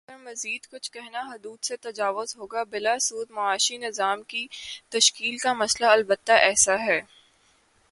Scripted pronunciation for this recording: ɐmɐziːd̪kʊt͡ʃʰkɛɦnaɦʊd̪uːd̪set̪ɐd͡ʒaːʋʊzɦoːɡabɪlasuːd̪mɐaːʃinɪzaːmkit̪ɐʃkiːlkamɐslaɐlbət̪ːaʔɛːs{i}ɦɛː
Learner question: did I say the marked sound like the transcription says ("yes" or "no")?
no